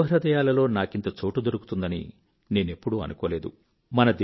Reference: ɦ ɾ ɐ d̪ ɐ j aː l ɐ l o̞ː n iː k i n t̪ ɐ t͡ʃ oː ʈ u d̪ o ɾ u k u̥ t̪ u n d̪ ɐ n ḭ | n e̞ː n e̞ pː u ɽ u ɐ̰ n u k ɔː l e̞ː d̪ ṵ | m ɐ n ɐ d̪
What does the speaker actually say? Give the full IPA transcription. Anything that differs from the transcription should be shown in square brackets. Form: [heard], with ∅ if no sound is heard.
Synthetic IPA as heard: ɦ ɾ ɐ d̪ ɐ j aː l ɐ l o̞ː n [aː] k i n t̪ ɐ t͡ʃ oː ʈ u d̪ o ɾ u k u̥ t̪ u n d̪ ɐ n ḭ | n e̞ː n e̞ pː u ɽ u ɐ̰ n u k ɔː l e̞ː d̪ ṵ | m ɐ n ɐ d̪